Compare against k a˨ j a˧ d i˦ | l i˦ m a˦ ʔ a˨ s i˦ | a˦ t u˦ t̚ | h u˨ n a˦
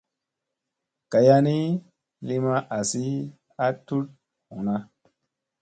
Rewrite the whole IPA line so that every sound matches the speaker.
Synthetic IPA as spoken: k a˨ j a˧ n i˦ | l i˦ m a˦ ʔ a˨ s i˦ | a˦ t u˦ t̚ | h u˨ n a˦